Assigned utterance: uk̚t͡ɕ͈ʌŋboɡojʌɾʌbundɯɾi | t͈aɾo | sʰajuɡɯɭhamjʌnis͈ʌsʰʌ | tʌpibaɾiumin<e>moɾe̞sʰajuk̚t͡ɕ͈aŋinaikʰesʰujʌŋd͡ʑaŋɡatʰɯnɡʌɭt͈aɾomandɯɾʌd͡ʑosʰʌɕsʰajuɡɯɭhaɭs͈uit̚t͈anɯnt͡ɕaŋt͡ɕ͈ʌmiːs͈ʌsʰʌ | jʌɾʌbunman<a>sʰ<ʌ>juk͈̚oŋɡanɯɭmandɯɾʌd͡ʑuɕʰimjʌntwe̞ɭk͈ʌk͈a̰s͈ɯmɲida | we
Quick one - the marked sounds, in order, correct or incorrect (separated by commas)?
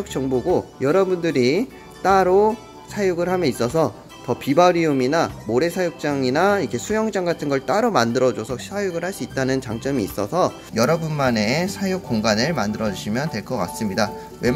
incorrect, incorrect, incorrect